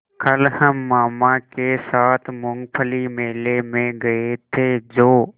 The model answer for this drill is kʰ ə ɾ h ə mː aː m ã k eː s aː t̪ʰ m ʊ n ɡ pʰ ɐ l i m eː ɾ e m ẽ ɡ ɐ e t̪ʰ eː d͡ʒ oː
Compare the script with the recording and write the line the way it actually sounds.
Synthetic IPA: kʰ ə l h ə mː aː m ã k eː s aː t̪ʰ m ʊ ŋ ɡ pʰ ə l i m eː l e m ẽ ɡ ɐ e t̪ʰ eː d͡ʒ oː